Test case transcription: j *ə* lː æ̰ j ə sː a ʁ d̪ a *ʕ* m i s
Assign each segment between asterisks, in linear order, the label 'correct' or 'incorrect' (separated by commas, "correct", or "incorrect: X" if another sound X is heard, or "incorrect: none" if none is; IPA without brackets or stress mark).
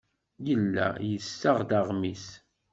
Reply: correct, incorrect: ʁ